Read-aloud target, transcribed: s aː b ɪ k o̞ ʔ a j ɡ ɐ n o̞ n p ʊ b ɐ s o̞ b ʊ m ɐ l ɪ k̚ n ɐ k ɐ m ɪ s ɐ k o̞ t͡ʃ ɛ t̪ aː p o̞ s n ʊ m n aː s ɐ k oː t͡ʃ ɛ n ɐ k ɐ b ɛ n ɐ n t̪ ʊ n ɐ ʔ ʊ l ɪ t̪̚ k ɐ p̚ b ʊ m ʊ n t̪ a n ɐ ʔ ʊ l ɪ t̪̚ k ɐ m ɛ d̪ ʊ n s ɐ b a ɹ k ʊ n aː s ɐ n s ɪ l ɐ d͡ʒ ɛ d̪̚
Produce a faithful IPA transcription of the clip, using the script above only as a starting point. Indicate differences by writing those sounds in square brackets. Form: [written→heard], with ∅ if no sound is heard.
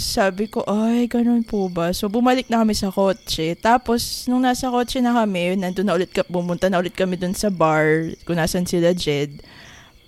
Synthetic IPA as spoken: s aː b ɪ k o̞ ʔ a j ɡ ɐ n o̞ n p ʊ b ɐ s o̞ b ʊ m ɐ l ɪ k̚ n ɐ k ɐ m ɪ s ɐ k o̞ t͡ʃ ɛ t̪ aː p o̞ s n ʊ [m→ŋ] n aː s ɐ k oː t͡ʃ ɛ n ɐ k ɐ [b→m] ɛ n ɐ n [t̪→d̪] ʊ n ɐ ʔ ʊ l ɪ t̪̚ k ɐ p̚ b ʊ m ʊ n t̪ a n ɐ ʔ ʊ l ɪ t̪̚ k ɐ m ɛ d̪ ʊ n s ɐ b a ɹ k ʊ n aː s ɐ n s ɪ l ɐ d͡ʒ ɛ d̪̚